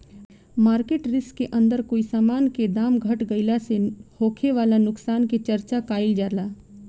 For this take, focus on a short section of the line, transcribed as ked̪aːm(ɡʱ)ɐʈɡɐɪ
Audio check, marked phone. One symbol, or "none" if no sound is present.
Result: ɡʱ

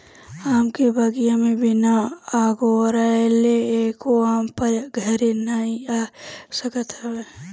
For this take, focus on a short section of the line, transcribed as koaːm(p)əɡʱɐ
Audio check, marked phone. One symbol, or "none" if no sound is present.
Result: p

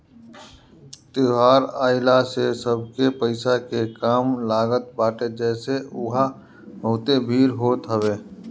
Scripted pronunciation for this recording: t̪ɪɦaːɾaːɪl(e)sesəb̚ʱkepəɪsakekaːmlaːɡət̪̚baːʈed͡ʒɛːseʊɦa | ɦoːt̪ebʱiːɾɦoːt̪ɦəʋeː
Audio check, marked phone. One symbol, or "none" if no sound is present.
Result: a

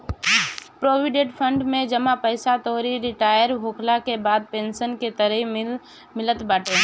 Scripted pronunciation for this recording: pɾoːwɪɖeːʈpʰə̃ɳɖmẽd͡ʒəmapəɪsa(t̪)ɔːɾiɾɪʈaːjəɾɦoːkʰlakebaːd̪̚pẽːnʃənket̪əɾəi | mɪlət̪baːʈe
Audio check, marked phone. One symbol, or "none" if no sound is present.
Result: t̪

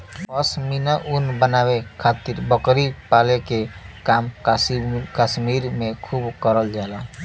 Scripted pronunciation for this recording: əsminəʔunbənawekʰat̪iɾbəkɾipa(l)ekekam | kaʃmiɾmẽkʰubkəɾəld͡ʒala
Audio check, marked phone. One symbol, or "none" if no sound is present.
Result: l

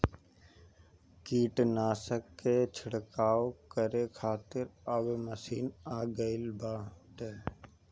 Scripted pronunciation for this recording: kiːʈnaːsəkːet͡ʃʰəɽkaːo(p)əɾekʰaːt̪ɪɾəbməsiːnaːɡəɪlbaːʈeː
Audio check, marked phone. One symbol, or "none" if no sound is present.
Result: k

